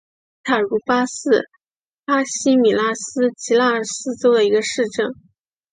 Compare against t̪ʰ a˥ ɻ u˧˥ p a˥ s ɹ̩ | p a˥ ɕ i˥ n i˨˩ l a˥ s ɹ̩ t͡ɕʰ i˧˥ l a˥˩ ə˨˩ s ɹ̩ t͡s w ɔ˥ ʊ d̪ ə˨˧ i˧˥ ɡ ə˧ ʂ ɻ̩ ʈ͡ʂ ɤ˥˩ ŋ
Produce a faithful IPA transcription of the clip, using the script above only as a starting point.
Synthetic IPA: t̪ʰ a˨˩ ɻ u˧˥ p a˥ s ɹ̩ | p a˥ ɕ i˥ m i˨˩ l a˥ s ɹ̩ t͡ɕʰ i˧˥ l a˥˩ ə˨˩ s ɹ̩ t͡s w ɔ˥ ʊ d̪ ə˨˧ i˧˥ ɡ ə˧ ʂ ɻ̩ ʈ͡ʂ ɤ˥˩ ŋ